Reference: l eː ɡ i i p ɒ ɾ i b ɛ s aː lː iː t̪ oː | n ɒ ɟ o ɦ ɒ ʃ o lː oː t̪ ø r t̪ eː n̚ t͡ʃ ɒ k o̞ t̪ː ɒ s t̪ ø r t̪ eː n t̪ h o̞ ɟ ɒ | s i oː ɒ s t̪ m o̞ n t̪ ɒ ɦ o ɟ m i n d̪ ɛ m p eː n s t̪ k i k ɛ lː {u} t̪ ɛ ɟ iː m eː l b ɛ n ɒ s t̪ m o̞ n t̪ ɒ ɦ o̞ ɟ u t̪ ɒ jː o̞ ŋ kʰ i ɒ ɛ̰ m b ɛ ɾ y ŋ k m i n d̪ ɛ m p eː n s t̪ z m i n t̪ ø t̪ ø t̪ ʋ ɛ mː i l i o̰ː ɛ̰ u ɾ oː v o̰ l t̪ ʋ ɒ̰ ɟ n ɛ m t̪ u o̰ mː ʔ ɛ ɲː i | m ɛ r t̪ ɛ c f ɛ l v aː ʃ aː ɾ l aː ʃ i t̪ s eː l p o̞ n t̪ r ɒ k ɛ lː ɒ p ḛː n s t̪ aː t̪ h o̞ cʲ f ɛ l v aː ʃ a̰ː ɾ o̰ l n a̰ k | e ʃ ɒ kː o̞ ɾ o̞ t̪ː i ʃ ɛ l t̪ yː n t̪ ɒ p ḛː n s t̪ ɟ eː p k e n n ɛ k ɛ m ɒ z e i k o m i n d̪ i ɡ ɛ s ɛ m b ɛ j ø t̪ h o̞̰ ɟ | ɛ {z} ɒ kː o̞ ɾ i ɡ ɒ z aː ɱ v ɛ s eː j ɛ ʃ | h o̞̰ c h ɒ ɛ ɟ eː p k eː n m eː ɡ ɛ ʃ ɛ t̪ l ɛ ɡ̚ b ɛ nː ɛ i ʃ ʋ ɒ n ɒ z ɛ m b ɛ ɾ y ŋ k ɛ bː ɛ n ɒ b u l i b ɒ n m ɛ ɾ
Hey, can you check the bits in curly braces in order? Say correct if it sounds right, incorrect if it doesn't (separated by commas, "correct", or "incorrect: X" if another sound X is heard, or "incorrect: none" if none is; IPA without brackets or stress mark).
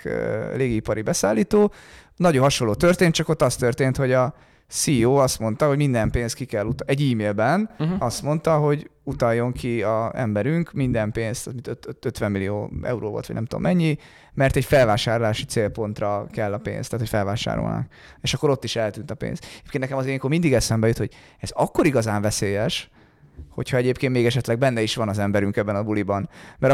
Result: correct, correct